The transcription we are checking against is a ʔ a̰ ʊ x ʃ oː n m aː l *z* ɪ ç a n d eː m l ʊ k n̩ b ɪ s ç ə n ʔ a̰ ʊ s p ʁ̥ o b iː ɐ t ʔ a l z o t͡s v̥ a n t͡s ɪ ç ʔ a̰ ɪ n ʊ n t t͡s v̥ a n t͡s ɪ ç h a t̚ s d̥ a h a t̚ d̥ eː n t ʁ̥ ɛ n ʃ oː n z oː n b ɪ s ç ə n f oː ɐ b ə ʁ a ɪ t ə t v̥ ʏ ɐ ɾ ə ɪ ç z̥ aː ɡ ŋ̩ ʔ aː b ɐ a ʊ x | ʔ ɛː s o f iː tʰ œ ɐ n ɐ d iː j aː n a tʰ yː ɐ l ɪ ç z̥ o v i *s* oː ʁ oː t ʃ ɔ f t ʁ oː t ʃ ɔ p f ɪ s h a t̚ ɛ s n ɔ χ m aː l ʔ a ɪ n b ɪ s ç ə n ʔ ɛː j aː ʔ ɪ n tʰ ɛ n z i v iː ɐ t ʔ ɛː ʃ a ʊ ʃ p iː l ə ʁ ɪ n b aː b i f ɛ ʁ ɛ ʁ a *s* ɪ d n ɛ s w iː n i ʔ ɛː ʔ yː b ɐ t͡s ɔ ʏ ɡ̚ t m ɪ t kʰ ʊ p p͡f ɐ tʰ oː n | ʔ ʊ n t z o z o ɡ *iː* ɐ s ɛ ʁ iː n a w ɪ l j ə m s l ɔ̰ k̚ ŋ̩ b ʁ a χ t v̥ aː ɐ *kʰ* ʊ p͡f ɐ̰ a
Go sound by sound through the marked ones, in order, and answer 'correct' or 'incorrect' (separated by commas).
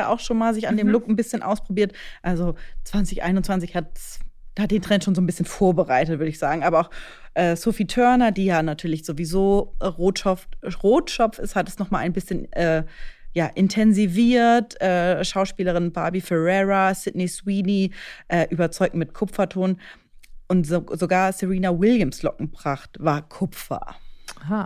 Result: correct, incorrect, correct, incorrect, correct